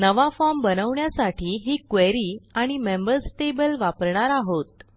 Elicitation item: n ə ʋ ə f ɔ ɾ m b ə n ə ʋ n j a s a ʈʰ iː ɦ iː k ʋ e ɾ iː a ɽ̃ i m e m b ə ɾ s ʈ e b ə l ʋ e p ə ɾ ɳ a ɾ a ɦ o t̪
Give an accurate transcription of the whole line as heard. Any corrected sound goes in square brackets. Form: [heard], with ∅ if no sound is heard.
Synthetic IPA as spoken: n ə ʋ [a] f ɔ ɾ m b ə n ə ʋ [ɳ] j a s a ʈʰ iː ɦ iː k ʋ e ɾ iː a ɽ̃ i m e m b ə ɾ s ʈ e b ə l ʋ [a] p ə ɾ ɳ a ɾ a ɦ o t̪